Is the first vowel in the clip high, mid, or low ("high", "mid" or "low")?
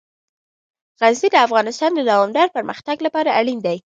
low